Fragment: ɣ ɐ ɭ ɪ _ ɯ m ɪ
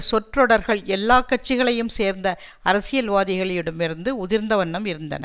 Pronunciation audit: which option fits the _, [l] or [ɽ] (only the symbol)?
ɽ